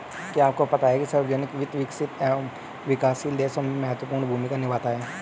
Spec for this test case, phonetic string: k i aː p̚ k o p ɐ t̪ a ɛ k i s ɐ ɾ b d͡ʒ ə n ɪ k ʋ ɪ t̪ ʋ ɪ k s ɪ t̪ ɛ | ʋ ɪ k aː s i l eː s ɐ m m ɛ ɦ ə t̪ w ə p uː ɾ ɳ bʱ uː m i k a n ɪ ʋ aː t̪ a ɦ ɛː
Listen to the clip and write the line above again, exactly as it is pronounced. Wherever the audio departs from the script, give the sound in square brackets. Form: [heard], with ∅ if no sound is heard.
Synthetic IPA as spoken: k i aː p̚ k o p ɐ t̪ a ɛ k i s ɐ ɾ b d͡ʒ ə n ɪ k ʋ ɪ t̪ ʋ ɪ k s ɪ t̪ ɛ | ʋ ɪ k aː s i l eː s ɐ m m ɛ ɦ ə t̪ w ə p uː ɾ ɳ bʱ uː m i k a n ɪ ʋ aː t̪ a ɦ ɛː